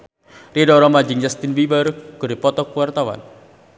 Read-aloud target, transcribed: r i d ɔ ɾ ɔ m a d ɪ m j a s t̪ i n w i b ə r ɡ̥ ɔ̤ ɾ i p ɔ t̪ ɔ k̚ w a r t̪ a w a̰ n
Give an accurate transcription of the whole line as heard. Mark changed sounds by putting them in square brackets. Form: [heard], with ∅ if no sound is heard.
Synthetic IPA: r i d ɔ ɾ ɔ m a [d͡ʒ] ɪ [ŋ] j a s t̪ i n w i b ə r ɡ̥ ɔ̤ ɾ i p ɔ t̪ ɔ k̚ w a r t̪ a w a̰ n